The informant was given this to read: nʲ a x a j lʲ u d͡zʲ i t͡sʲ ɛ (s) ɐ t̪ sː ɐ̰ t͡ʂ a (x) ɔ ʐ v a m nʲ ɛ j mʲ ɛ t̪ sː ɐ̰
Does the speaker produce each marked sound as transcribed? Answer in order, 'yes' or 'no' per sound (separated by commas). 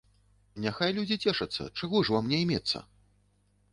no, no